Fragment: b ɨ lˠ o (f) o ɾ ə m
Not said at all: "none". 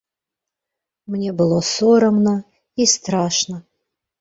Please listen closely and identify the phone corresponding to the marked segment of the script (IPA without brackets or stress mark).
s